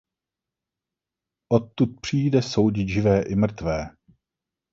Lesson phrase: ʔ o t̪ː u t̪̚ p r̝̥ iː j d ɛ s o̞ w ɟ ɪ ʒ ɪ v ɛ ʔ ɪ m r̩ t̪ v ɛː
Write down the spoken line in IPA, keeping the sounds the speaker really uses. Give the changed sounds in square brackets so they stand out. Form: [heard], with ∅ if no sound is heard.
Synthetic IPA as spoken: ʔ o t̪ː u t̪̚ p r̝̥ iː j d ɛ s o̞ w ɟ ɪ ʒ ɪ v [ɛː] ʔ ɪ m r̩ t̪ v ɛː

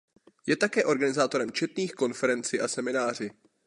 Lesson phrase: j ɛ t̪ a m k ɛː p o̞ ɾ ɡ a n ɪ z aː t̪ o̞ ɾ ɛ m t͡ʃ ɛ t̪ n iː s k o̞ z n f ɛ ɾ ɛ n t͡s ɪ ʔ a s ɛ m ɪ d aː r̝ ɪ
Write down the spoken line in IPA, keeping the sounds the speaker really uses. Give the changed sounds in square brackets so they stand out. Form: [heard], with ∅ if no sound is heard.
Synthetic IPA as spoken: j ɛ t̪ a [∅] k ɛː [ʔ] o̞ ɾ ɡ a n ɪ z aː t̪ o̞ ɾ ɛ m t͡ʃ ɛ t̪ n iː [x] k o̞ [∅] n f ɛ ɾ ɛ n t͡s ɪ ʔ a s ɛ m ɪ [n] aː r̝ ɪ

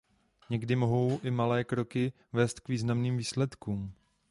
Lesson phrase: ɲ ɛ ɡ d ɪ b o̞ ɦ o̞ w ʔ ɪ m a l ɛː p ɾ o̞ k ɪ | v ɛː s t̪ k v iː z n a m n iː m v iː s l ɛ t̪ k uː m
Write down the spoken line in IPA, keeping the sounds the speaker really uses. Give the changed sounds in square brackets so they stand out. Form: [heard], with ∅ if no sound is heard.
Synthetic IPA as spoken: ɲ ɛ ɡ d ɪ [m] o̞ ɦ o̞ w ʔ ɪ m a l ɛː [k] ɾ o̞ k ɪ | v ɛː s t̪ k v iː z n a m n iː m v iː s l ɛ t̪ k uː m

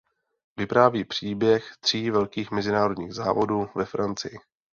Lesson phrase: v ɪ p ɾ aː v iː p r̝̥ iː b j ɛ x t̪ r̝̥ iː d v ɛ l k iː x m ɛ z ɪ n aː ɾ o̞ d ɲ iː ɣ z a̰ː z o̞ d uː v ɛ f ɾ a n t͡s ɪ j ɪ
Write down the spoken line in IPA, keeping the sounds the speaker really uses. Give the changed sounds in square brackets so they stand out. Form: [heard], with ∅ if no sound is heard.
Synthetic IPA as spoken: v ɪ p ɾ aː v iː p r̝̥ iː b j ɛ x t̪ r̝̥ iː [∅] v ɛ l k iː x m ɛ z ɪ n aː ɾ o̞ d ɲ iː ɣ z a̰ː [v] o̞ d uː v ɛ f ɾ a n t͡s ɪ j ɪ

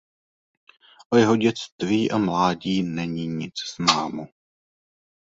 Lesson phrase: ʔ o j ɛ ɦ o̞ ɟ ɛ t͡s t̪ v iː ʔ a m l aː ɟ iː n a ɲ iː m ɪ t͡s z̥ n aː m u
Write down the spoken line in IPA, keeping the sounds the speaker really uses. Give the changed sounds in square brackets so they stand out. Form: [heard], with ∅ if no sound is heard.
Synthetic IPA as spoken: ʔ o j ɛ ɦ o̞ ɟ ɛ t͡s t̪ v iː ʔ a m l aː ɟ iː n [ɛ] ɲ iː [ɲ] ɪ t͡s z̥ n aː m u

